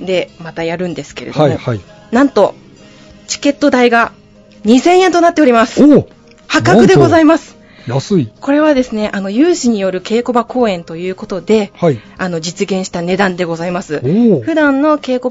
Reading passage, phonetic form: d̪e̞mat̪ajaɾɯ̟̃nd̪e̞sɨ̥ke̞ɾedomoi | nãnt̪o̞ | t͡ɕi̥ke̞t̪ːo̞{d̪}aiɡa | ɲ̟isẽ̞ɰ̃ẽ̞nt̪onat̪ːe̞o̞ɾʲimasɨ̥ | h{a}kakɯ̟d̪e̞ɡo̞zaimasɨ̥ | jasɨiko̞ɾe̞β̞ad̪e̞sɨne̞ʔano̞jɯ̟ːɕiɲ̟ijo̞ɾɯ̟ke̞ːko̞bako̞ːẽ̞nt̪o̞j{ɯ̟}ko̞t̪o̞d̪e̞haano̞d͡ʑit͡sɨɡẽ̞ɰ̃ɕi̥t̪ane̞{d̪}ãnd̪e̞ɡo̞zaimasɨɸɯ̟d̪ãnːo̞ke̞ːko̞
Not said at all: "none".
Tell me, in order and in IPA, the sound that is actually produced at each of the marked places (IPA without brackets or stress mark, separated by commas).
d̪, a, ɯ̟ː, d̪